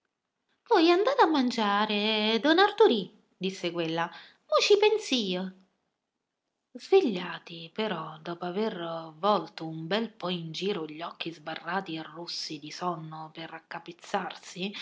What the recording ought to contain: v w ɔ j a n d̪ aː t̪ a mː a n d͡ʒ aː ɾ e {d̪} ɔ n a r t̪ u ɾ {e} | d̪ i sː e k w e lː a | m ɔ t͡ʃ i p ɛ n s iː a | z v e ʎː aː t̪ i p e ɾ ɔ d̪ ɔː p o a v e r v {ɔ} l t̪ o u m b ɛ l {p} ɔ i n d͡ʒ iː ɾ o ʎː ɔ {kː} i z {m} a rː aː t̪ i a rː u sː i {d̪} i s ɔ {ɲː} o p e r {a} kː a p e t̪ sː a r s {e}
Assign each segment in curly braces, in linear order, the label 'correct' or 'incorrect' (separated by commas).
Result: correct, incorrect, correct, correct, correct, incorrect, correct, incorrect, correct, incorrect